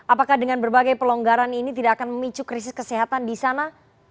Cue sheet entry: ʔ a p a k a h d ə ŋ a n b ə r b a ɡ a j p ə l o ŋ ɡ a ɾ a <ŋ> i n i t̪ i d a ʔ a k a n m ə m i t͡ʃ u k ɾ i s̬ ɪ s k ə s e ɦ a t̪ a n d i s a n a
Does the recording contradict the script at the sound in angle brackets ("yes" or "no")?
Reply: yes